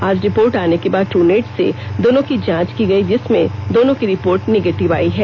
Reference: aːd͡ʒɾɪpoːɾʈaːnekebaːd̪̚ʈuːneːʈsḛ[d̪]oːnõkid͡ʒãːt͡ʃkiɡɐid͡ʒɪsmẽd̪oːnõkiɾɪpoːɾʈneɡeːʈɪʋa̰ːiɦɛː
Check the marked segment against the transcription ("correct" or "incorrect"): correct